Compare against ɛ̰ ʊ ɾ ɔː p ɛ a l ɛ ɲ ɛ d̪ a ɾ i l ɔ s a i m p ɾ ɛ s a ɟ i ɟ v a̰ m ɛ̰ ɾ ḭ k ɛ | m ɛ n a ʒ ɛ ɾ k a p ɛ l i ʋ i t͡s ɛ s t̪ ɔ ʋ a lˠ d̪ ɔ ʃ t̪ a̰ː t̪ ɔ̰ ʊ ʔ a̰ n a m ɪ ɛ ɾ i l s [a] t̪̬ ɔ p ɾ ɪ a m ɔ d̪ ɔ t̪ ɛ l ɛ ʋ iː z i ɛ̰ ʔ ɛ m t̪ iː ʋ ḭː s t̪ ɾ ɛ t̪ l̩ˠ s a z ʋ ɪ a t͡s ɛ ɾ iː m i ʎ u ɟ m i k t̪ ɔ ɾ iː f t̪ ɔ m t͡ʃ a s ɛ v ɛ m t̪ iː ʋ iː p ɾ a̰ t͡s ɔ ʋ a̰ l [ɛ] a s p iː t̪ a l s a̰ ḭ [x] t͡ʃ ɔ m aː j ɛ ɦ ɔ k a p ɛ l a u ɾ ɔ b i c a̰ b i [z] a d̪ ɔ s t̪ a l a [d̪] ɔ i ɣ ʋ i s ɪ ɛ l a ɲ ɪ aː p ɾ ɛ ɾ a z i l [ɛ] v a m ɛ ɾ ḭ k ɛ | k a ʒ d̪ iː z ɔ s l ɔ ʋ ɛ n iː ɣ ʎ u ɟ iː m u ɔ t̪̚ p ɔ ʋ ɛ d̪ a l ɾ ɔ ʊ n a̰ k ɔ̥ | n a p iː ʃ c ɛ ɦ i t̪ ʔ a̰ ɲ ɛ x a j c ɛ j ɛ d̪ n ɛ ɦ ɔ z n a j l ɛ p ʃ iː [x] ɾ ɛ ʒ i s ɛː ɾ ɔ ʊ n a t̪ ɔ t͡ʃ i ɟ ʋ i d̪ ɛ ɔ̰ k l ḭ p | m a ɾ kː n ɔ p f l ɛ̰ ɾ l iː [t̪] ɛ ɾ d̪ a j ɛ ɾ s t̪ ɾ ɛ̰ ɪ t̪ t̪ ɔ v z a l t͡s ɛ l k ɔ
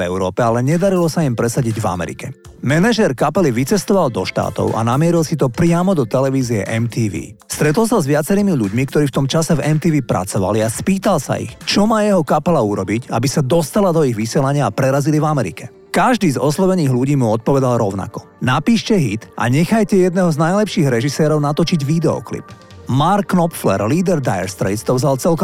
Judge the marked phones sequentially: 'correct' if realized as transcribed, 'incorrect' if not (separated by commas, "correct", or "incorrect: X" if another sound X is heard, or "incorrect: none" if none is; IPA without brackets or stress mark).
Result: incorrect: i, incorrect: i, correct, incorrect: s, correct, incorrect: i, incorrect: ɣ, incorrect: d̪